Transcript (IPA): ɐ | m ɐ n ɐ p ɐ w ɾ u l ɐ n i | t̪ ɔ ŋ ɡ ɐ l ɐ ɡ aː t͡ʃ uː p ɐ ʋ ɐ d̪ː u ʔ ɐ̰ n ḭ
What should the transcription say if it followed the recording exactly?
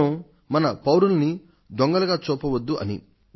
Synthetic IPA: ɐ | m ɐ n ɐ p ɐ w ɾ u l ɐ n i | d̪ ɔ ŋ ɡ ɐ l ɐ ɡ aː t͡ʃ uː p ɐ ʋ ɐ d̪ː u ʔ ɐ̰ n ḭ